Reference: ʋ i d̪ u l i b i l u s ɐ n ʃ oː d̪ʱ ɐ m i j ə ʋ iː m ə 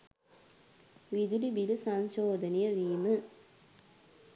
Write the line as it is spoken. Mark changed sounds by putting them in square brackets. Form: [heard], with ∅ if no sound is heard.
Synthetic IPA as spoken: ʋ i d̪ u l i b i l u s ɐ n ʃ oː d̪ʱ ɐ [n] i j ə ʋ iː m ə

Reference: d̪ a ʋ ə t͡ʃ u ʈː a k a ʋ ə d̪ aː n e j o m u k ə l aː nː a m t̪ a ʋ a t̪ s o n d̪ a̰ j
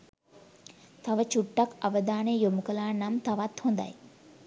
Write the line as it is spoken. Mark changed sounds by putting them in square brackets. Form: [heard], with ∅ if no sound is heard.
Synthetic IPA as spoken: [t̪] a ʋ ə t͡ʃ u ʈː a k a ʋ ə d̪ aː n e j o m u k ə l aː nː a m t̪ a ʋ a t̪ [h] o n d̪ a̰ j

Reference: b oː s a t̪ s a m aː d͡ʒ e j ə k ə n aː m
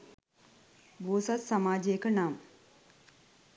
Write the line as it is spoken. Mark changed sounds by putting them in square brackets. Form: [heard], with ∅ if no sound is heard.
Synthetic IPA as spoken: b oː s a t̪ s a m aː d͡ʒ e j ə k ə n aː m

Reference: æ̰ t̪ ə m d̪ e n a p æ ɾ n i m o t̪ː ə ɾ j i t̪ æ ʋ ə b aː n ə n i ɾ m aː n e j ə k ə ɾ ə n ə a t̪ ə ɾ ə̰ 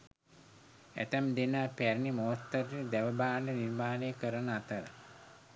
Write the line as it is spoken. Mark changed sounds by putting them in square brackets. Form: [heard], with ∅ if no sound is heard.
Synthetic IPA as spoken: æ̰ t̪ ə m d̪ e n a p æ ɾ n i m o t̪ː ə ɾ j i [d̪] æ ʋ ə b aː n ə n i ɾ m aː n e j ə k ə ɾ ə n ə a t̪ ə ɾ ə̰

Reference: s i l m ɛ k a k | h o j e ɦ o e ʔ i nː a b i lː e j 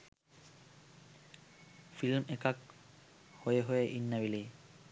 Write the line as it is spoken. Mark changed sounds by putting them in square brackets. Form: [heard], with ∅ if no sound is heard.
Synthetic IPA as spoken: [f] i l m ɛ k a k | h o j e ɦ o e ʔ i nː a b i [l] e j

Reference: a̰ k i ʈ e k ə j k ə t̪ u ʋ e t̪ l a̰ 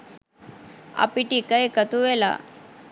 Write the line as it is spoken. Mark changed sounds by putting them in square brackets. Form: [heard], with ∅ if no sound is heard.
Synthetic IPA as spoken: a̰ [p] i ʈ [i] k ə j k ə t̪ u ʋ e [∅] l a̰

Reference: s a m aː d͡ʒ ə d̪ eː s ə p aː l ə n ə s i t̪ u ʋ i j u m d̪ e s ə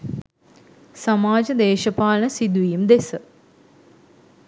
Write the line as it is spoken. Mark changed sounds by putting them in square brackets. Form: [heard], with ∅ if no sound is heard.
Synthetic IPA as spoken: s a m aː d͡ʒ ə d̪ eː [ʃ] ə p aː l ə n ə s i [d̪] u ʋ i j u m d̪ e s ə

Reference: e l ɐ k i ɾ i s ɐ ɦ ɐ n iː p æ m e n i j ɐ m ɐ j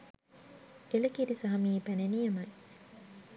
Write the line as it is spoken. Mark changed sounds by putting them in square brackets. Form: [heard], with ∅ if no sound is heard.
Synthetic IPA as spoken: e l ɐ k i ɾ i s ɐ ɦ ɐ [m] iː p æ [n] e n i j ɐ m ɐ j

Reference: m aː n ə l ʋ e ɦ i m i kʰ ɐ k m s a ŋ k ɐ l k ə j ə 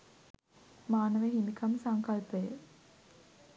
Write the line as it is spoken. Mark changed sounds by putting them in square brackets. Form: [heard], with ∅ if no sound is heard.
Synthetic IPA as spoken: m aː n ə [∅] ʋ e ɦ i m i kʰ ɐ [∅] m s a ŋ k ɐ l [p] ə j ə

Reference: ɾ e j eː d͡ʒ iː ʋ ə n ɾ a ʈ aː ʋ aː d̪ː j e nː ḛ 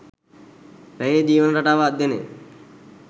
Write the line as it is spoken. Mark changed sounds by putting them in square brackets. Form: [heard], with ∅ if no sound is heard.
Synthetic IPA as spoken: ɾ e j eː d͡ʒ iː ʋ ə n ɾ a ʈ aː ʋ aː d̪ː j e [n] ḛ

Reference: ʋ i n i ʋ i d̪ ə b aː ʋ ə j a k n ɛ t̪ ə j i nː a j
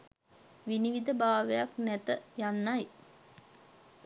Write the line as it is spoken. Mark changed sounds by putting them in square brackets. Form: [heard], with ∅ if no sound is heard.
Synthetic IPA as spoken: ʋ i n i ʋ i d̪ ə b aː ʋ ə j a k n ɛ t̪ ə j [a] nː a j

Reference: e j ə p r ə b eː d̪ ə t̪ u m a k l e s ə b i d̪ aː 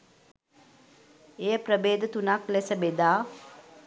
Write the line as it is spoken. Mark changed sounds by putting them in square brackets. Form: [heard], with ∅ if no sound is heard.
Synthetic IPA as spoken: e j ə p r ə b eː d̪ ə t̪ u [n] a k l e s ə b [e] d̪ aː

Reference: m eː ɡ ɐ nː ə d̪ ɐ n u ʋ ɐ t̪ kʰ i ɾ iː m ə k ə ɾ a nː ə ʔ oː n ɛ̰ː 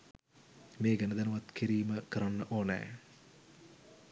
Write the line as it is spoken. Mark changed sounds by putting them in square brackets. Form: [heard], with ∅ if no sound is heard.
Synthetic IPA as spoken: m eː ɡ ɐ [n] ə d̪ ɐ n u ʋ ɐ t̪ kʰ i ɾ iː m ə k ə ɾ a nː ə ʔ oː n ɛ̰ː

